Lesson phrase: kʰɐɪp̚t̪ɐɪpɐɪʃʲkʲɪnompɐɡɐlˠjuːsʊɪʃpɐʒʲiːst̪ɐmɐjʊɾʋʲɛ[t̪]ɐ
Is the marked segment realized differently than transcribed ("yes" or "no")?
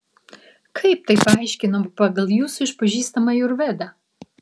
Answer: yes